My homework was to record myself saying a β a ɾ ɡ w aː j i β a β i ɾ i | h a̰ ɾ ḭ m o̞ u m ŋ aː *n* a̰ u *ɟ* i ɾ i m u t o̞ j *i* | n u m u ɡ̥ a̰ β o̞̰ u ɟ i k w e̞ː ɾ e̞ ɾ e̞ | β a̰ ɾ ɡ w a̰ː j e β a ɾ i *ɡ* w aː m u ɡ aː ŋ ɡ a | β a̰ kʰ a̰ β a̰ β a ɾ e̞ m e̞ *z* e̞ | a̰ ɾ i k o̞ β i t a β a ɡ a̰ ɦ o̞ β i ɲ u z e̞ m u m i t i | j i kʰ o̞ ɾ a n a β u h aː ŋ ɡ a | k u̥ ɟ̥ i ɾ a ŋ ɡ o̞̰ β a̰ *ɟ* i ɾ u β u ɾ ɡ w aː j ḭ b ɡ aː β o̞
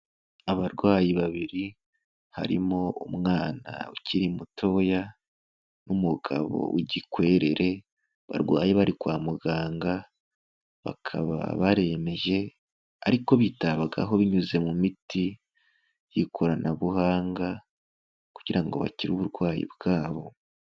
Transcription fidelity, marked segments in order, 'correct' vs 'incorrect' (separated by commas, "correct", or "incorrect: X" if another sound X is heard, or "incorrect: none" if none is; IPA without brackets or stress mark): correct, incorrect: c, incorrect: a, incorrect: k, incorrect: ʒ, incorrect: c